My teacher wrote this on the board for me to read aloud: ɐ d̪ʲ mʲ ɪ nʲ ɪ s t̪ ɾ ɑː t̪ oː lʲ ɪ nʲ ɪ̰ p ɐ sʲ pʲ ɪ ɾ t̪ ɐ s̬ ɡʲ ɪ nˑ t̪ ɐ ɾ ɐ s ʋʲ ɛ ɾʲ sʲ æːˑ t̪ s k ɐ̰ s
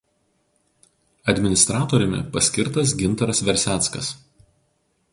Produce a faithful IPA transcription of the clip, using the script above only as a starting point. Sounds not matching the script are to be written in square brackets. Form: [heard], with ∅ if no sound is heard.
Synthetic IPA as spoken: ɐ d̪ʲ mʲ ɪ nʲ ɪ s t̪ ɾ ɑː t̪ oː [ɾʲ] ɪ [mʲ] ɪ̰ p ɐ sʲ [kʲ] ɪ ɾ t̪ ɐ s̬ ɡʲ ɪ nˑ t̪ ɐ ɾ ɐ s ʋʲ ɛ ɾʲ sʲ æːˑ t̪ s k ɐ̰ s